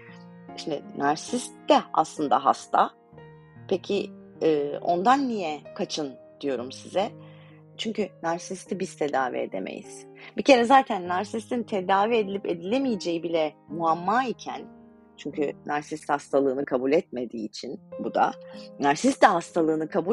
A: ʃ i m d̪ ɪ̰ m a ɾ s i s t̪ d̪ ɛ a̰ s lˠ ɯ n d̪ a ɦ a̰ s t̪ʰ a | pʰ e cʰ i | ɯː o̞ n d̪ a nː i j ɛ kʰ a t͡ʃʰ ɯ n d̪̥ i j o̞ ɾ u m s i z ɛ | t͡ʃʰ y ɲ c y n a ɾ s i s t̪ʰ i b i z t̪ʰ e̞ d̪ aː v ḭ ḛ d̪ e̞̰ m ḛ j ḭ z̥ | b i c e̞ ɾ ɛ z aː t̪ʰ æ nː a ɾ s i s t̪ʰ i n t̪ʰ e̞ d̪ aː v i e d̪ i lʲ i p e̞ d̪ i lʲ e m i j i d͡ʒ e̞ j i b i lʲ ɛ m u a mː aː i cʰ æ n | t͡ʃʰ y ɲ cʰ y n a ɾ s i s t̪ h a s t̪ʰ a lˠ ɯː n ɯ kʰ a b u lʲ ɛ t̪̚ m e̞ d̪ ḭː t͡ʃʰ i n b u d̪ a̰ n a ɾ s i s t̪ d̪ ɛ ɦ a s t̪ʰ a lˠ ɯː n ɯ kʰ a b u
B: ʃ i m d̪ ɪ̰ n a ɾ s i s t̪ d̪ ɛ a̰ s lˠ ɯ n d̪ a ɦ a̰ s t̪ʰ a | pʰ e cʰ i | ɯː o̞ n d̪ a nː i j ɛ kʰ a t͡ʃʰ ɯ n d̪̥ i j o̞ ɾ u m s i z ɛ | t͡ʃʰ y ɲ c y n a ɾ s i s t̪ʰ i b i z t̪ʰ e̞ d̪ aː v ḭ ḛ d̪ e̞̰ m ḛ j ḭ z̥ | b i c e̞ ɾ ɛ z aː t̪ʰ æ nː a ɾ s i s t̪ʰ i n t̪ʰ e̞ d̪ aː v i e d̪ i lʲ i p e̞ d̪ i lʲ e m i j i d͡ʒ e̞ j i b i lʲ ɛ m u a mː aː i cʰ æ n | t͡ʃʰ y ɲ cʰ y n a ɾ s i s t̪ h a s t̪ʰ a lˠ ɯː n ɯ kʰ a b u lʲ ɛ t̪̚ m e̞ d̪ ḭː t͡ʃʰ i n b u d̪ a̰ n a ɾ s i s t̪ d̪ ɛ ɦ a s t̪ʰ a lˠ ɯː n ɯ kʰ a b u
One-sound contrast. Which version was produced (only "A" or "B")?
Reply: B